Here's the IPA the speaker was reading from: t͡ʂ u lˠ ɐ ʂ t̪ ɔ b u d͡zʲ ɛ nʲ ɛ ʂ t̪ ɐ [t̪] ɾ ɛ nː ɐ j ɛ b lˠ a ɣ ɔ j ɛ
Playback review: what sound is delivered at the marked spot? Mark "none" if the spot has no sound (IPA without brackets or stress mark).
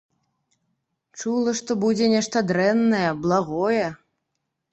d̪